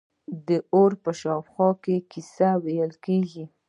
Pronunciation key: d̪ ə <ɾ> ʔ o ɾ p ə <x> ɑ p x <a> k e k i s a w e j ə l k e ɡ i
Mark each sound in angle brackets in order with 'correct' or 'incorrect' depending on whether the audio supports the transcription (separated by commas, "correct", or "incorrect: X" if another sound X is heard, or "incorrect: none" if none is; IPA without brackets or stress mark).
incorrect: none, incorrect: ʃ, incorrect: ɑ